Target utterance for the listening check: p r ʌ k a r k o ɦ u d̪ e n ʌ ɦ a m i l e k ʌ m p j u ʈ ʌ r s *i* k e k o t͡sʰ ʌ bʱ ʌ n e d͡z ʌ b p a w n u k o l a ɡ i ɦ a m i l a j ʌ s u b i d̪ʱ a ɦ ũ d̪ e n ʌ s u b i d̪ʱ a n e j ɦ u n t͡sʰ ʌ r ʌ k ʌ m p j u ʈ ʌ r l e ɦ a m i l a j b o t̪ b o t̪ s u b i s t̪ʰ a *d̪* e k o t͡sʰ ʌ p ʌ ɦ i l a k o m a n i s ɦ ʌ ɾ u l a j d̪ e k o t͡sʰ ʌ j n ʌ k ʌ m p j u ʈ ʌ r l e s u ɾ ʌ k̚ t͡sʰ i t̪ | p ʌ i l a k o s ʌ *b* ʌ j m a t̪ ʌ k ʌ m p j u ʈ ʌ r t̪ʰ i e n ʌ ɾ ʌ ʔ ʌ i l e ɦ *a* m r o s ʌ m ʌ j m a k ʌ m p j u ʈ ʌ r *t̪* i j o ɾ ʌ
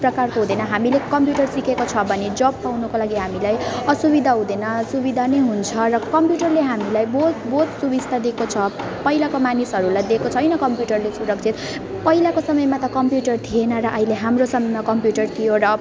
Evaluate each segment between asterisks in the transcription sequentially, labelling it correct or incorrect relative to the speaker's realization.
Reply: correct, correct, incorrect: m, correct, incorrect: t̪ʰ

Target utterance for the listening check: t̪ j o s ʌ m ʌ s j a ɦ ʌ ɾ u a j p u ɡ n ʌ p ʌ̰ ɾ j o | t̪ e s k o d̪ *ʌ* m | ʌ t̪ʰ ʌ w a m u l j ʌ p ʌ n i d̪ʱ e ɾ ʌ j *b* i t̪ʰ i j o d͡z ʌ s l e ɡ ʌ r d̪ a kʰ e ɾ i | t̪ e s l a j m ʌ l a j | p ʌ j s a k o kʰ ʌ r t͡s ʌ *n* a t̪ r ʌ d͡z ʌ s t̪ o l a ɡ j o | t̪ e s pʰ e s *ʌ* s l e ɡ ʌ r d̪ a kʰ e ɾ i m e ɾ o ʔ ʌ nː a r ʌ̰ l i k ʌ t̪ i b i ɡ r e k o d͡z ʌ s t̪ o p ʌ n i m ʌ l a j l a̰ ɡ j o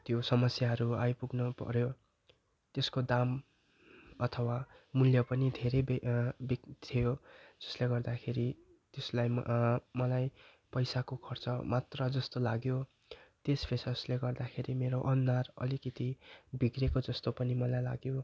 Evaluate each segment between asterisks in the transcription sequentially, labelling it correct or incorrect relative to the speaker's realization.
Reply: incorrect: a, correct, incorrect: m, correct

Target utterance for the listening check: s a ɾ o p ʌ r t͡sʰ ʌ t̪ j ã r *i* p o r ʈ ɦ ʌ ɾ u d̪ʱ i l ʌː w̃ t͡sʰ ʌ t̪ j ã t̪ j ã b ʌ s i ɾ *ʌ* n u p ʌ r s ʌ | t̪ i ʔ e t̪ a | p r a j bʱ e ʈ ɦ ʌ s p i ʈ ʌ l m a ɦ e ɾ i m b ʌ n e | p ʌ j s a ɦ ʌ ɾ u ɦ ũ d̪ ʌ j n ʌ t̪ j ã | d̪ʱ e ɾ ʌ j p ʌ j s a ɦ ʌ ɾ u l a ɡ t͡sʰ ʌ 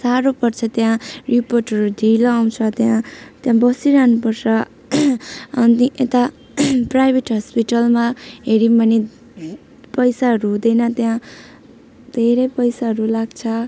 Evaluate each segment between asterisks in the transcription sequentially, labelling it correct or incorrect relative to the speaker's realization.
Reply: correct, incorrect: a

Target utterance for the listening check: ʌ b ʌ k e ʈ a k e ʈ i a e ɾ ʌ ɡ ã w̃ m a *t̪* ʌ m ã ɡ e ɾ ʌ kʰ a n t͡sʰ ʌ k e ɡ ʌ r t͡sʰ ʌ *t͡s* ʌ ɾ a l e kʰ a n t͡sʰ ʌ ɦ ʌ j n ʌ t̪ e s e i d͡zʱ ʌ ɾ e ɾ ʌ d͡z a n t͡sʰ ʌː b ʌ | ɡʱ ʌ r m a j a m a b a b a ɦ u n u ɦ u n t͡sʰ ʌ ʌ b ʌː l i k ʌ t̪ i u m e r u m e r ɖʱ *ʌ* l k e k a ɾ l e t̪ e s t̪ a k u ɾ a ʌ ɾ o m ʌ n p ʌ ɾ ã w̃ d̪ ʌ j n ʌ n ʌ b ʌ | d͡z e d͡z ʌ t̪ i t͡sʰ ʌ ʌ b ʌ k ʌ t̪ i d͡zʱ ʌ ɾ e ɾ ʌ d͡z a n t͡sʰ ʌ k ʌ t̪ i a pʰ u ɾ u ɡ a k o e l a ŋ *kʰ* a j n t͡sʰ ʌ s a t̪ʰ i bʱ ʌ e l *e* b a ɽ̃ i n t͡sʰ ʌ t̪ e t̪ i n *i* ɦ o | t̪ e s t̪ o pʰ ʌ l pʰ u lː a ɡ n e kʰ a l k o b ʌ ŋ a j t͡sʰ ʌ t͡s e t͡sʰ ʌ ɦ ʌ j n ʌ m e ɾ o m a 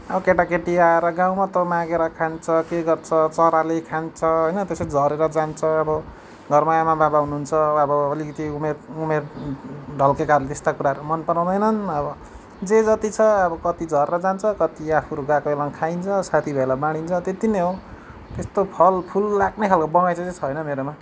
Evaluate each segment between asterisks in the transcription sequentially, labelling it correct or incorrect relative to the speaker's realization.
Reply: correct, correct, correct, correct, incorrect: a, incorrect: e

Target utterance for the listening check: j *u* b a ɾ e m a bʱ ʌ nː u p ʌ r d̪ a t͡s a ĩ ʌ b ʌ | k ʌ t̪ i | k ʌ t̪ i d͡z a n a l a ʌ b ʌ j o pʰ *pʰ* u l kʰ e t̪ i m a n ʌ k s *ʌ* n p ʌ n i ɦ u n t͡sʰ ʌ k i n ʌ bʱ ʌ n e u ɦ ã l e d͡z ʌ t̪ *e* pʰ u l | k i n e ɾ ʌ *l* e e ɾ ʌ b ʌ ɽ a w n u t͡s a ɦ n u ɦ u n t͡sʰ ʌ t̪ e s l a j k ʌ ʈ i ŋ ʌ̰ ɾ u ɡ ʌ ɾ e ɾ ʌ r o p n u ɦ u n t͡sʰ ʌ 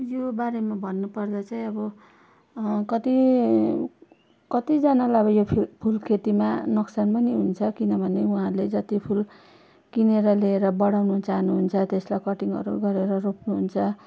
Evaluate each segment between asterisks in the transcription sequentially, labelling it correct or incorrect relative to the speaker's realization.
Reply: incorrect: o, correct, incorrect: a, incorrect: i, correct

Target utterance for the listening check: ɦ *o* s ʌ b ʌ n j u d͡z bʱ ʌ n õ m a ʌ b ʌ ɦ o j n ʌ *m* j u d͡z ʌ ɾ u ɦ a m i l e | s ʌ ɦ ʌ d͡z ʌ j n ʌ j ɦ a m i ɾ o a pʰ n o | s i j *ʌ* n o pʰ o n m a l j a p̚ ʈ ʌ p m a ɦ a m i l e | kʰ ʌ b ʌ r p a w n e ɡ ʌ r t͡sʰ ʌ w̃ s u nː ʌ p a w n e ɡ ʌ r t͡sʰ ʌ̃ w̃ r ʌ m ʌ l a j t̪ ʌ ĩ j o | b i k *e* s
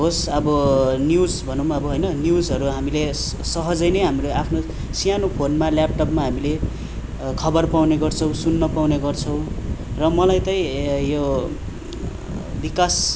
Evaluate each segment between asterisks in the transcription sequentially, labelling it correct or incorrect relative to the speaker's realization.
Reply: correct, incorrect: n, incorrect: a, incorrect: a

